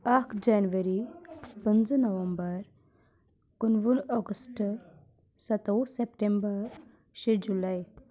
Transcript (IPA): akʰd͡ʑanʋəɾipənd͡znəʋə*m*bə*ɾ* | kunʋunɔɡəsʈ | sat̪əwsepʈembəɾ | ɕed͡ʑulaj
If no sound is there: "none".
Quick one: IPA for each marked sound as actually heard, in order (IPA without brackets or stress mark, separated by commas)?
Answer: m, ɾ